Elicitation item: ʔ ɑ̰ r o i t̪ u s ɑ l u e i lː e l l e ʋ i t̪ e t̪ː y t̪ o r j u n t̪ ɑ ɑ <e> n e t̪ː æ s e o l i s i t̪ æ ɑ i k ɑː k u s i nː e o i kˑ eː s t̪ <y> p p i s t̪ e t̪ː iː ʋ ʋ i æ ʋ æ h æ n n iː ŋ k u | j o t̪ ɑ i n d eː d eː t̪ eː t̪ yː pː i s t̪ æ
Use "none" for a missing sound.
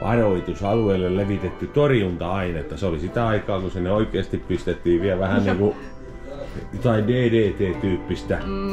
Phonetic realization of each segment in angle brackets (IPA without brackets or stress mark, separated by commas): i, i